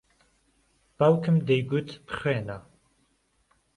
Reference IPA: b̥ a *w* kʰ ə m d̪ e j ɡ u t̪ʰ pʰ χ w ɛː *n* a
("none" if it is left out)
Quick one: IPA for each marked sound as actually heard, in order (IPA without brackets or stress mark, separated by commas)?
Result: w, n